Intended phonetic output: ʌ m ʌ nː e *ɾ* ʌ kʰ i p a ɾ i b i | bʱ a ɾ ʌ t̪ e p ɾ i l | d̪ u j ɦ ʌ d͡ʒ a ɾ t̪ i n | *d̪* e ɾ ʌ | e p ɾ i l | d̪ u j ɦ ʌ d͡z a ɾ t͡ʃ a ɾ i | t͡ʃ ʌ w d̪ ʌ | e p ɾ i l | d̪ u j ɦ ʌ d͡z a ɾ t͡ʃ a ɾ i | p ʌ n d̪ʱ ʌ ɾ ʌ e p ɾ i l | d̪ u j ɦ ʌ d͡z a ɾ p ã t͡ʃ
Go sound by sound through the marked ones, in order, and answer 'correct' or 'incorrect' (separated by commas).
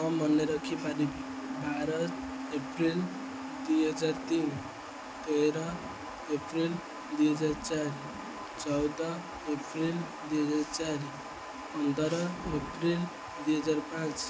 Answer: correct, incorrect